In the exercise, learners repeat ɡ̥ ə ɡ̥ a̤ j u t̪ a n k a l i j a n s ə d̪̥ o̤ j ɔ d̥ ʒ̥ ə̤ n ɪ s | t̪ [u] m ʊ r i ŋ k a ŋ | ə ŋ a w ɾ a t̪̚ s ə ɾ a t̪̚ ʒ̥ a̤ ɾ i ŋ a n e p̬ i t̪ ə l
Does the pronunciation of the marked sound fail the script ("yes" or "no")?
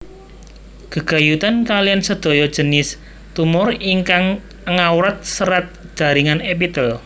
no